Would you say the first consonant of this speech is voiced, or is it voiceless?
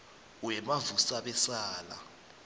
voiced